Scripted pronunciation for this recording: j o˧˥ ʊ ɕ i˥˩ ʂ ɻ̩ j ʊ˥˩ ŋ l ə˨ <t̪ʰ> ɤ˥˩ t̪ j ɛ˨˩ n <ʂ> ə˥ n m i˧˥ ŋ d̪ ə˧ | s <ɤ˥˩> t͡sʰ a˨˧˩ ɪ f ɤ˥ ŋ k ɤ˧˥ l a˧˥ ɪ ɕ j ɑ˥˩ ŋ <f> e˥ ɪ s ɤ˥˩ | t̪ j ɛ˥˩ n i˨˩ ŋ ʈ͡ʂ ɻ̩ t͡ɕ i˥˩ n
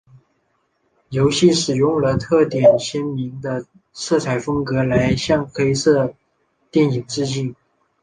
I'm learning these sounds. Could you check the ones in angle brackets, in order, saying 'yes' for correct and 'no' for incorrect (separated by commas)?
yes, no, yes, no